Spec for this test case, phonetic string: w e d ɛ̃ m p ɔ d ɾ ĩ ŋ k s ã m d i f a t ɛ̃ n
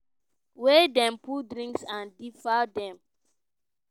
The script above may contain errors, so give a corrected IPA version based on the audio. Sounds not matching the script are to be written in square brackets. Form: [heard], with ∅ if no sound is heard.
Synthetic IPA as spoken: w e d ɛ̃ m p [u] d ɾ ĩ ŋ k s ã [n] d i f a [d] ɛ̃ [m]